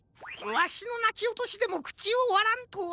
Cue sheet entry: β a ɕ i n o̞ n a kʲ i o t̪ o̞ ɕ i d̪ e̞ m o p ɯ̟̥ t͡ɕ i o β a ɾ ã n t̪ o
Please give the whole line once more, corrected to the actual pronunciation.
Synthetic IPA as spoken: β a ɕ i n o̞ n a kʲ i o t̪ o̞ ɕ i d̪ e̞ m o k ɯ̟̥ t͡ɕ i o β a ɾ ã n t̪ o

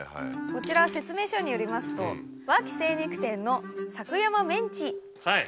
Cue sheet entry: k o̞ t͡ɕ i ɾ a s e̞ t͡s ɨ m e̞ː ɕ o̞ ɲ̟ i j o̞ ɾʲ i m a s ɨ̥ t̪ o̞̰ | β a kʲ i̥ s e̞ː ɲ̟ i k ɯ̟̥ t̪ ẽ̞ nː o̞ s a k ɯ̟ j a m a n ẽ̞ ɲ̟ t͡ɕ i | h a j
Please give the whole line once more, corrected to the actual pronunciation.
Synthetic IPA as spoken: k o̞ t͡ɕ i ɾ a s e̞ t͡s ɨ m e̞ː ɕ o̞ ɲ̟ i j o̞ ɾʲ i m a s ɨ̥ t̪ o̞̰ | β a kʲ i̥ s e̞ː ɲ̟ i k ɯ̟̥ t̪ ẽ̞ nː o̞ s a k ɯ̟ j a m a m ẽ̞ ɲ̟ t͡ɕ i | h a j

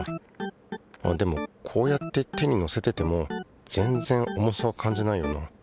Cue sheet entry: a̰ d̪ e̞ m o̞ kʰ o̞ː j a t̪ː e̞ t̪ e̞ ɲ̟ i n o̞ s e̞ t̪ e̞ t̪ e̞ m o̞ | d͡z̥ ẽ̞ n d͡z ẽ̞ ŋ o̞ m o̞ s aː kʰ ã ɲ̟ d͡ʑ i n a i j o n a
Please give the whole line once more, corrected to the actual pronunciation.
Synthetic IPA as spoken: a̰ d̪ e̞ m o̞ kʰ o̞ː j a t̪ː e̞ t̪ e̞ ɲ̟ i n o̞ s e̞ t̪ e̞ t̪ e̞ m o̞ | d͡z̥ ẽ̞ n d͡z ẽ̞ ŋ o̞ m o̞ s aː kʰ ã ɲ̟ d͡ʑ i n a i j o n a

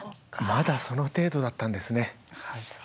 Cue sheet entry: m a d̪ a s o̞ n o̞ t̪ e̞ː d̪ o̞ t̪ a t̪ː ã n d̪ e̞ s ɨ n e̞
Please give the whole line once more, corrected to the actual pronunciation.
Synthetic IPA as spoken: m a d̪ a s o̞ n o̞ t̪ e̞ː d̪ o̞ d̪ a t̪ː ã n d̪ e̞ s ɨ n e̞

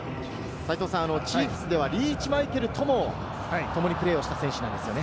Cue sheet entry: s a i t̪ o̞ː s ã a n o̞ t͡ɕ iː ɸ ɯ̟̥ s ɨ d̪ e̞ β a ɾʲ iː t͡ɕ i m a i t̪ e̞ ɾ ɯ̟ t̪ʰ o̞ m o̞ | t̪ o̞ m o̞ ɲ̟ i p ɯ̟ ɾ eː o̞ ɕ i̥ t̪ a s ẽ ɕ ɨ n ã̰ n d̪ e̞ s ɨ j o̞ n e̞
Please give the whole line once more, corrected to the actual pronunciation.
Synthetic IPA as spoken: s a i t̪ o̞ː s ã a n o̞ t͡ɕ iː ɸ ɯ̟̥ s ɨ d̪ e̞ β a ɾʲ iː t͡ɕ i m a i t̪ e̞ ɾ ɯ̟ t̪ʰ o̞ m o̞ | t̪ o̞ m o̞ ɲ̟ i p ɯ̟ ɾ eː o̞ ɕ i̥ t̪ a s ẽ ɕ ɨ n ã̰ n d̪ e̞ s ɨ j o̞ n e̞

